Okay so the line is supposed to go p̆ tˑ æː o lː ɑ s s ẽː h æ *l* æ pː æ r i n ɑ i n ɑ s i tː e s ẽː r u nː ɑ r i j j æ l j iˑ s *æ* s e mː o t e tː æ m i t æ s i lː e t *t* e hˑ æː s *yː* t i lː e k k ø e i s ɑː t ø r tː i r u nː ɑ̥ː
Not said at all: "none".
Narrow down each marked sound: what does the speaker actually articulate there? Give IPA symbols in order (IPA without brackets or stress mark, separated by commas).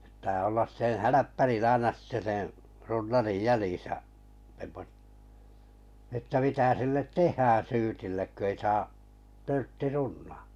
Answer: l, æ, t, yː